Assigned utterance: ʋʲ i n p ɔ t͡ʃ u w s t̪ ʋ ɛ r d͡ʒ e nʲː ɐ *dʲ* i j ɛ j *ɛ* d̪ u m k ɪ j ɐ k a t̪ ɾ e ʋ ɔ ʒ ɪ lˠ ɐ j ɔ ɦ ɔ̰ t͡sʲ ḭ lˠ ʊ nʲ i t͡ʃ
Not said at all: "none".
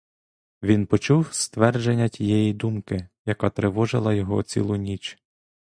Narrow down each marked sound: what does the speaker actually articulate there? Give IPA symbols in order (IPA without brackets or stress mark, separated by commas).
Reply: tʲ, i